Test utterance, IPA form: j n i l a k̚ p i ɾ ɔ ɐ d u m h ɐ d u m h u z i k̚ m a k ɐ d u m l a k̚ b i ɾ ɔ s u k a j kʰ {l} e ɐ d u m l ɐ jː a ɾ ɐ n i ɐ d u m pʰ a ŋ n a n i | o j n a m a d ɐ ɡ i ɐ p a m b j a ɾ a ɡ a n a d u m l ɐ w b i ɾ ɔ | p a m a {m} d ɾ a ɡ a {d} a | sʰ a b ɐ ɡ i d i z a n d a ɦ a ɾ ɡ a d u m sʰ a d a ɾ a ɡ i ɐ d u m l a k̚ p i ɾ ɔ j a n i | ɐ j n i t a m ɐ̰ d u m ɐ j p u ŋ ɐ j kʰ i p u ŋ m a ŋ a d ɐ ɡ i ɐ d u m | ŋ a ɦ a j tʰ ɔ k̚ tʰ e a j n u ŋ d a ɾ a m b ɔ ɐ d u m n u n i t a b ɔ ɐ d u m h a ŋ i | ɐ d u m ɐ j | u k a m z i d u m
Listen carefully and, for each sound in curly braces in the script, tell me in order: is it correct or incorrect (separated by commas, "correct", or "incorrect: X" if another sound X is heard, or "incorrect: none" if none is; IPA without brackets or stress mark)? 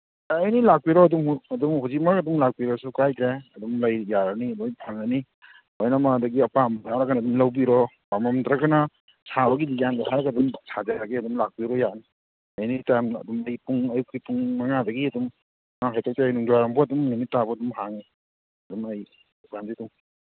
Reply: incorrect: ɾ, correct, incorrect: n